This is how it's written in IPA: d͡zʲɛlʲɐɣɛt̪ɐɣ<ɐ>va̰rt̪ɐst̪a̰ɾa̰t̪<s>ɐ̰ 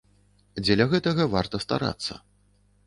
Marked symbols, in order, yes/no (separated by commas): yes, no